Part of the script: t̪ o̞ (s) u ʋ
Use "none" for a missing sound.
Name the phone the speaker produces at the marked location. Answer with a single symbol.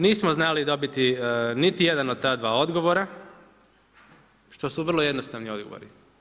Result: s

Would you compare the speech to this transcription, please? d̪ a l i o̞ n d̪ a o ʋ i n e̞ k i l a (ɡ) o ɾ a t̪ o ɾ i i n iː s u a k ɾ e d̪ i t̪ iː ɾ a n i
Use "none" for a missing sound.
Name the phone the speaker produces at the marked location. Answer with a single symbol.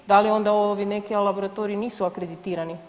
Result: b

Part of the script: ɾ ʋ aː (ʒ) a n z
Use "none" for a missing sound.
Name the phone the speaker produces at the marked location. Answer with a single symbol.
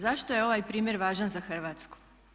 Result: ʒ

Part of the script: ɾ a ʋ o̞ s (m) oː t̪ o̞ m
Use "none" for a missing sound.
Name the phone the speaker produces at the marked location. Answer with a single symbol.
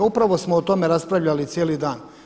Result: m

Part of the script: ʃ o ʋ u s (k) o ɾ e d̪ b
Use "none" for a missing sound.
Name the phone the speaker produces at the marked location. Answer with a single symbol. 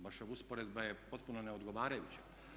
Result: p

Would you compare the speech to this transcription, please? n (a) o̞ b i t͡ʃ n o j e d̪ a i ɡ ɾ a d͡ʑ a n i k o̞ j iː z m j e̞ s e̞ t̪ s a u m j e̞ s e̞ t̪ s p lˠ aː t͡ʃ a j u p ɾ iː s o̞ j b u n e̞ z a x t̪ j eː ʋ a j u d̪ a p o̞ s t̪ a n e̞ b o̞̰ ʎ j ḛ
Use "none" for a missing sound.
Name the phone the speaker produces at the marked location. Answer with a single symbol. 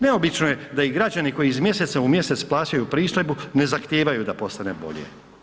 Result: e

